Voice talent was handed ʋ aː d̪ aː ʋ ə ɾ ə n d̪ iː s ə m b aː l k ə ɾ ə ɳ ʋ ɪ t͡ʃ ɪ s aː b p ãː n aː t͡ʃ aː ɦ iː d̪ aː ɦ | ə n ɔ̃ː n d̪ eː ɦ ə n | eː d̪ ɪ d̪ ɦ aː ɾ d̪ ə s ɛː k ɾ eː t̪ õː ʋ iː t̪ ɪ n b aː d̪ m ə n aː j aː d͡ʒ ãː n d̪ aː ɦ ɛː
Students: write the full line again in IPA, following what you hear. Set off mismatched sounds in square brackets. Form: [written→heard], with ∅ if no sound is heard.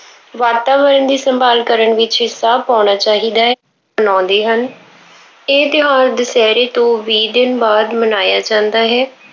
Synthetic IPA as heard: ʋ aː [d̪→t̪] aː ʋ ə ɾ ə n d̪ iː s ə m b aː l k ə ɾ ə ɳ ʋ ɪ t͡ʃ ɪ s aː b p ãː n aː t͡ʃ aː ɦ iː d̪ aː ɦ | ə n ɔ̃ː n d̪ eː ɦ ə n | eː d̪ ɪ [d̪→∅] ɦ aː ɾ d̪ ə s ɛː [k→∅] ɾ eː t̪ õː ʋ iː [t̪→d̪] ɪ n b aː d̪ m ə n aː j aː d͡ʒ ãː n d̪ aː ɦ ɛː